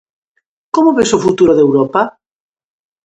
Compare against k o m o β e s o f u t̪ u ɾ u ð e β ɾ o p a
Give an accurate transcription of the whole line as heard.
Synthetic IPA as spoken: k o m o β e s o f u t̪ u ɾ o ð e w ɾ o p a